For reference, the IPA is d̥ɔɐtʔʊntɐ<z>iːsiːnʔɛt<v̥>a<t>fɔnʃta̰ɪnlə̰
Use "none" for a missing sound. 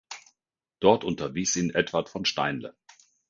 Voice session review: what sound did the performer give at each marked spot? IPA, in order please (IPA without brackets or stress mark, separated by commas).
v, v̥, t